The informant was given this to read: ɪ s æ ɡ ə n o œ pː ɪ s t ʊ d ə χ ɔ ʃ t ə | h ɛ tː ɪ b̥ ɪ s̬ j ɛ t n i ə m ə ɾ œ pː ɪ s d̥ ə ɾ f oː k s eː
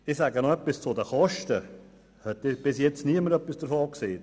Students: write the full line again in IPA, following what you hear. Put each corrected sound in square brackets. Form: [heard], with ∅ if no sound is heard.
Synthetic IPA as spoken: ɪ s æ ɡ ə n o œ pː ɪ s [t͡s] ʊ d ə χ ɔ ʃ t ə | h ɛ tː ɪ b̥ ɪ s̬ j ɛ [t͡s] n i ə m ə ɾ œ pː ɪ s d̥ ə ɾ f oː k s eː